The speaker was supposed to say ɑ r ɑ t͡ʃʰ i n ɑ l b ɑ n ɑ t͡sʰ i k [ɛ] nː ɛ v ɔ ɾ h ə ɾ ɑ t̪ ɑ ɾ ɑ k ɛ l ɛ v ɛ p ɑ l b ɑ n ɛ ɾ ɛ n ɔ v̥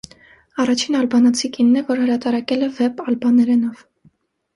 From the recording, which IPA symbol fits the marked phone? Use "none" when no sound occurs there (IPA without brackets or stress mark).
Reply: i